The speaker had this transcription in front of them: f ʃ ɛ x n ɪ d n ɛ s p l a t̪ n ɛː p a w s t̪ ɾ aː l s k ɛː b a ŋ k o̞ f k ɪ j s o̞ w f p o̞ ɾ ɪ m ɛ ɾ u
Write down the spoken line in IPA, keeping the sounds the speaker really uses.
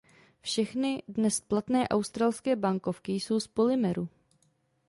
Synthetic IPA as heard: f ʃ ɛ x n ɪ d n ɛ s p l a t̪ n ɛː ʔ a w s t̪ ɾ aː l s k ɛː b a ŋ k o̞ f k ɪ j s o̞ w s p o̞ l ɪ m ɛ ɾ u

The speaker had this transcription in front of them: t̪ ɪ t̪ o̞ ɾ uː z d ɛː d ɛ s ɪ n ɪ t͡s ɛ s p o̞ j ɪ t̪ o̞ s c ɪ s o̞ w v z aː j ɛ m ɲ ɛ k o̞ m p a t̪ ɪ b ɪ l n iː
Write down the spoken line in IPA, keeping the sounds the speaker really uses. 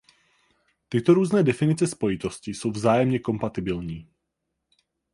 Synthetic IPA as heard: t̪ ɪ t̪ o̞ ɾ uː z n ɛː d ɛ f ɪ n ɪ t͡s ɛ s p o̞ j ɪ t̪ o̞ s c ɪ s o̞ w v z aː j ɛ m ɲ ɛ k o̞ m p a t̪ ɪ b ɪ l ɲ iː

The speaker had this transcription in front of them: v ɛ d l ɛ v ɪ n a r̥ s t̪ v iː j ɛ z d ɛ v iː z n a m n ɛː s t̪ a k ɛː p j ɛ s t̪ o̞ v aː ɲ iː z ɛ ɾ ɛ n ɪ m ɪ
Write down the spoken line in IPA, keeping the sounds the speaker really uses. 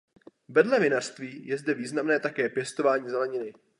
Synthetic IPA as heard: v ɛ d l ɛ v ɪ n a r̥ s t̪ v iː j ɛ z d ɛ v iː z n a m n ɛː t̪ a k ɛː p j ɛ s t̪ o̞ v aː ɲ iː z ɛ l ɛ ɲ ɪ n ɪ

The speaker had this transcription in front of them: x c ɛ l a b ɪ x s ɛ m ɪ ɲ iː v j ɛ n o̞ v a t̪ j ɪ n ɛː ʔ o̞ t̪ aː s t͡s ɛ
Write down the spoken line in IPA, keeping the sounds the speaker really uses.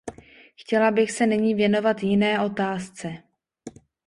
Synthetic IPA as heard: x c ɛ l a b ɪ x s ɛ n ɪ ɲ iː v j ɛ n o̞ v a t̪ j ɪ n ɛː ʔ o̞ t̪ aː s t͡s ɛ

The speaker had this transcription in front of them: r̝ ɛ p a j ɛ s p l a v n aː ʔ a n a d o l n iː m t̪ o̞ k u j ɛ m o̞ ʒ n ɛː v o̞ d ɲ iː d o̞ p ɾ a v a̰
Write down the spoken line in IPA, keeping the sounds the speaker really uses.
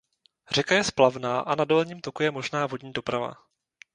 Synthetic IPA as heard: r̝ ɛ k a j ɛ s p l a v n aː ʔ a n a d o l ɲ iː m t̪ o̞ k u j ɛ m o̞ ʒ n aː v o̞ d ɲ iː d o̞ p ɾ a v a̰

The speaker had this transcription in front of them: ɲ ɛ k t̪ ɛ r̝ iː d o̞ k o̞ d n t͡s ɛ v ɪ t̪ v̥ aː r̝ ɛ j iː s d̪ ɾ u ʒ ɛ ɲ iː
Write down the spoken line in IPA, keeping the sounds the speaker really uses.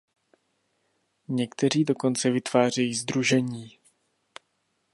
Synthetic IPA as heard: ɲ ɛ k t̪ ɛ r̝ iː d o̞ k o̞ n t͡s ɛ v ɪ t̪ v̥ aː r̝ ɛ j iː z d̪ ɾ u ʒ ɛ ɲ iː

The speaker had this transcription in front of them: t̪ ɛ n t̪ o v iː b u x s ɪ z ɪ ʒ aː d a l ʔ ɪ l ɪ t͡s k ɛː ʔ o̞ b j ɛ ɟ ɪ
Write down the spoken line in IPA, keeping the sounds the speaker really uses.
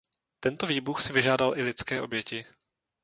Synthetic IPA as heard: t̪ ɛ n t̪ o v iː b u x s ɪ v ɪ ʒ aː d a l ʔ ɪ l ɪ t͡s k ɛː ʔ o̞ b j ɛ c ɪ

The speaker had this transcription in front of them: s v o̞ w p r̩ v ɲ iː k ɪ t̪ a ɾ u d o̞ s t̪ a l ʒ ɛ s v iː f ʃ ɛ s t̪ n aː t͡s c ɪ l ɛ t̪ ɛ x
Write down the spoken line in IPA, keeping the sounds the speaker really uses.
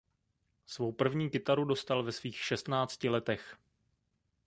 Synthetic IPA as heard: s v o̞ w p r̩ v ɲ iː k ɪ t̪ a ɾ u d o̞ s t̪ a l v ɛ s v iː x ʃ ɛ s t̪ n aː t͡s c ɪ l ɛ t̪ ɛ x

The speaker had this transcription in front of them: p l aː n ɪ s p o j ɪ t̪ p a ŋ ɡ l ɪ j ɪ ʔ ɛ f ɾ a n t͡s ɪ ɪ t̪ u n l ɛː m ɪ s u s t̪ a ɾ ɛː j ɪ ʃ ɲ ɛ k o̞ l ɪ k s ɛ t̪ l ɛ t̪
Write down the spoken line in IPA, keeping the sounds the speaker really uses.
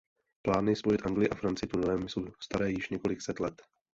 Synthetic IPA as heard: p l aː n ɪ s p o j ɪ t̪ ʔ a ŋ ɡ l ɪ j ɪ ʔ a f ɾ a n t͡s ɪ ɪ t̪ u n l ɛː m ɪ s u s t̪ a ɾ ɛː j ɪ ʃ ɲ ɛ k o̞ l ɪ k s ɛ t̪ l ɛ t̪

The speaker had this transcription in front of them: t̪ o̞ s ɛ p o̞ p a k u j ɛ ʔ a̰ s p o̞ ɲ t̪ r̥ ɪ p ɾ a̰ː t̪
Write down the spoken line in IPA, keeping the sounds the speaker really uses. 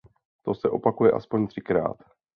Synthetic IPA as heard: t̪ o̞ s ɛ ʔ o̞ p a k u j ɛ ʔ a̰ s p o̞ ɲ t̪ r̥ ɪ k ɾ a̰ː t̪

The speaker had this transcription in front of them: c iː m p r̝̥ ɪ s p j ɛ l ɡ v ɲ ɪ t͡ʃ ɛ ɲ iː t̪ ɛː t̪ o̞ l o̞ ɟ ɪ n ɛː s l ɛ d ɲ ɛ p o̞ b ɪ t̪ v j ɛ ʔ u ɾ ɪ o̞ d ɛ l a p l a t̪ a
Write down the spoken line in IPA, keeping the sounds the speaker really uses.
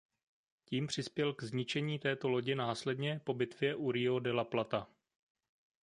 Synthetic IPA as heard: c iː m p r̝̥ ɪ s p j ɛ l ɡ z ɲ ɪ t͡ʃ ɛ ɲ iː t̪ ɛː t̪ o̞ l o̞ ɟ ɪ n aː s l ɛ d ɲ ɛ p o̞ b ɪ t̪ v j ɛ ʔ u ɾ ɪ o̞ d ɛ l a p l a t̪ a

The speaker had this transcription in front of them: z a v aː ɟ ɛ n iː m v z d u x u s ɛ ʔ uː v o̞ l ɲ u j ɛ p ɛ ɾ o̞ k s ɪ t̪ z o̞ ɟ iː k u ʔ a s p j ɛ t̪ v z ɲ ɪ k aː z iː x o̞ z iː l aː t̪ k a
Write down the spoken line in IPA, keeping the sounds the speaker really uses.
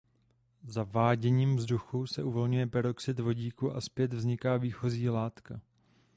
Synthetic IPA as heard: z a v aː ɟ ɛ ɲ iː m v z d u x u s ɛ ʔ u v o̞ l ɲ u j ɛ p ɛ ɾ o̞ k s ɪ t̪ v o̞ ɟ iː k u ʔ a s p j ɛ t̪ v z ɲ ɪ k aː v iː x o̞ z iː l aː t̪ k a

